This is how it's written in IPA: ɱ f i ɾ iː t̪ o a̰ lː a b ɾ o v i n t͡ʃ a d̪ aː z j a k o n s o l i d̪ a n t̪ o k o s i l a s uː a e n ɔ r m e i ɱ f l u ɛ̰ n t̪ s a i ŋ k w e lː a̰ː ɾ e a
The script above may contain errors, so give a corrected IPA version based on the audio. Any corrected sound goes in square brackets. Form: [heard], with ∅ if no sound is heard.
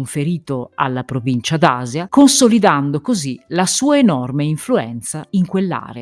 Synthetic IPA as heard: ɱ f [e] ɾ iː t̪ o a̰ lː a [p] ɾ o v i n t͡ʃ a d̪ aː z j a k o n s o l i d̪ a n [d̪] o k o [z] i l a s uː a e n ɔ r m e i ɱ f l u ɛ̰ n t̪ s a i ŋ k w e lː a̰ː ɾ e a